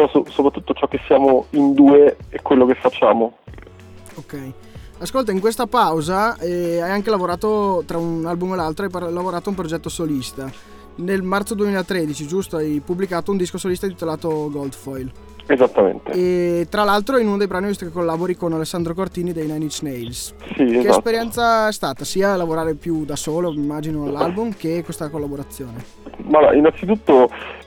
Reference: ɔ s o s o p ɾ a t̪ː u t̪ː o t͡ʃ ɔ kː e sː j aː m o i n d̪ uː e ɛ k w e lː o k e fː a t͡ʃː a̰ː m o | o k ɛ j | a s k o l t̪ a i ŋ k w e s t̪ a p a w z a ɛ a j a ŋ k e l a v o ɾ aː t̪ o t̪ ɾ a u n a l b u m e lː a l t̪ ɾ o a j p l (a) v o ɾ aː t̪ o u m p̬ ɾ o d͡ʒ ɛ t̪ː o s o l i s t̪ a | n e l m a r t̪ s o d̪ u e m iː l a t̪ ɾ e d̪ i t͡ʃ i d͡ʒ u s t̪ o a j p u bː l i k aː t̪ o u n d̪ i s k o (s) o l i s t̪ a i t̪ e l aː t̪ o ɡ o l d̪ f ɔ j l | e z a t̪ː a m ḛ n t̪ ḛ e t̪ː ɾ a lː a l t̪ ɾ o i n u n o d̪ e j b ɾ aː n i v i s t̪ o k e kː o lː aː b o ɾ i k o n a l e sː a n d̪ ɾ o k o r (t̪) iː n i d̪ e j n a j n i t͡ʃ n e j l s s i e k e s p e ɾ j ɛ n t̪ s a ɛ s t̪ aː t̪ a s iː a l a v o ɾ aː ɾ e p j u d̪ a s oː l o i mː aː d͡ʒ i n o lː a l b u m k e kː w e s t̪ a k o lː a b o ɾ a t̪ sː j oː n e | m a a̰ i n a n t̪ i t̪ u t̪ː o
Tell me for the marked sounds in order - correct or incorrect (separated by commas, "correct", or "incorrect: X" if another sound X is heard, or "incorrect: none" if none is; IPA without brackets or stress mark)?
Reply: correct, correct, correct